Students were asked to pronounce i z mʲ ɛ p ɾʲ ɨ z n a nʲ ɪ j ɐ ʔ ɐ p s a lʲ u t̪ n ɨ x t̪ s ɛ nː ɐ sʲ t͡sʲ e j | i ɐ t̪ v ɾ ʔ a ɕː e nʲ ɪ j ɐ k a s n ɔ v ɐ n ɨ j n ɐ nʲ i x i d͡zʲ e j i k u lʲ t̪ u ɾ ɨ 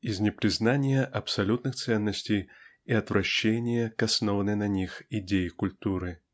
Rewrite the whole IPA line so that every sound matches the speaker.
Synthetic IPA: i z nʲ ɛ p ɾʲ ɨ z n a nʲ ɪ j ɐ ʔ ɐ p s a lʲ u t̪ n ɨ x t̪ s ɛ nː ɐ sʲ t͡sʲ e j | i ɐ t̪ v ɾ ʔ a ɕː e nʲ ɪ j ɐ k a s n ɔ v ɐ n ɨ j n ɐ nʲ i x i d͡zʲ e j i k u lʲ t̪ u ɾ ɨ